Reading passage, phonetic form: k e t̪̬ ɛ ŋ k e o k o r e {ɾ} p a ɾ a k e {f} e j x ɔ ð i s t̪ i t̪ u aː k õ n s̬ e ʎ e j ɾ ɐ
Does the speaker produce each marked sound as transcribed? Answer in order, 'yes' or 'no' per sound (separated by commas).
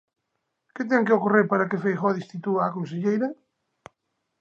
yes, yes